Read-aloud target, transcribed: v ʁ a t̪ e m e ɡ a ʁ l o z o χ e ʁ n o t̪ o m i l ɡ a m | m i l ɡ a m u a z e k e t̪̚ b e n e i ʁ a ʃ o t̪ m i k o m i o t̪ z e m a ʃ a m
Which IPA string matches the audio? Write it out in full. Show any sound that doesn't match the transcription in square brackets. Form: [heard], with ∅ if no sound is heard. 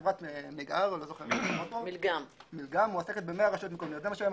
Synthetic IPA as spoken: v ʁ a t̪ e m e ɡ a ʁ l o z o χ e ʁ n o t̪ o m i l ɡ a m | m i l ɡ a m u a [s] e k e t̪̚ b e [m] e [a] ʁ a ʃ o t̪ m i k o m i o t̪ z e m a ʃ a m